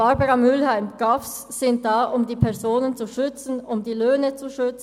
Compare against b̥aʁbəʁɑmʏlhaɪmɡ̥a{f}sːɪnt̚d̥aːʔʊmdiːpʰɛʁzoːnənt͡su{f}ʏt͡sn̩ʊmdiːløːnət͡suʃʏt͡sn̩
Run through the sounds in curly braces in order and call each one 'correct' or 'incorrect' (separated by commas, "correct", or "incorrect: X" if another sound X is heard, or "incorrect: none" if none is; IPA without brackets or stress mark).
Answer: correct, incorrect: ʃ